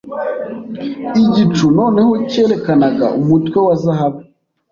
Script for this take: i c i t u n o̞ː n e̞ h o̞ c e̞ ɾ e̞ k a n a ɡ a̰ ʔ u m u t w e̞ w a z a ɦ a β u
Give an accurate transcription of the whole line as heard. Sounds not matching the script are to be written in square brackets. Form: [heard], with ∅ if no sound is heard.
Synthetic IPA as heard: i [ɟ] i [t͡ʃ] u n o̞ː n e̞ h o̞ c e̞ ɾ e̞ k a n a ɡ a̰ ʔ u m u t w e̞ w a z a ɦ a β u